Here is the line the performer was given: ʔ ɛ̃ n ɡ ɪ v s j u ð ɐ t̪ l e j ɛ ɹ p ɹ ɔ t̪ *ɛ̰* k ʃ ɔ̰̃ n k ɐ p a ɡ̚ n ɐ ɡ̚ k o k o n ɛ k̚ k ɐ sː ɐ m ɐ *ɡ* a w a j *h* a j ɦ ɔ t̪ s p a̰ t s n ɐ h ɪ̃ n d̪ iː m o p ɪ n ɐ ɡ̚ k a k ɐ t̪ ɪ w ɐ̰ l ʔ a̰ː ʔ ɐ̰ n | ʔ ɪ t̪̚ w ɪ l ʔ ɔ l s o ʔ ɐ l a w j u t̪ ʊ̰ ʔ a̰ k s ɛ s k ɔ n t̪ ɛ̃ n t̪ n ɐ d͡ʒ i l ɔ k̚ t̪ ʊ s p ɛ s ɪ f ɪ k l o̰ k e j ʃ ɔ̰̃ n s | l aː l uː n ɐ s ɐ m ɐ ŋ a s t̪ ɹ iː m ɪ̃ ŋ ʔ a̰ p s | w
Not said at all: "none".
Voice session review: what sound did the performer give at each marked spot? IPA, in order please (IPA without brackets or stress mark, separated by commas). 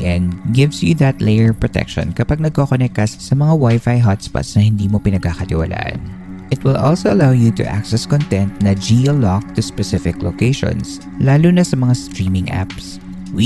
ɛ̰, ŋ, f